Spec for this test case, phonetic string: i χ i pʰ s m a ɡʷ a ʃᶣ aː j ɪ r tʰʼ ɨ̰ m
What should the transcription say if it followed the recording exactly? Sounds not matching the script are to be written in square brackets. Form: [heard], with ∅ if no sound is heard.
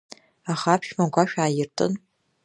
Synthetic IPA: [a] χ [a] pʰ [ʃ] m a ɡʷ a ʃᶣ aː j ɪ r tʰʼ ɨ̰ [n]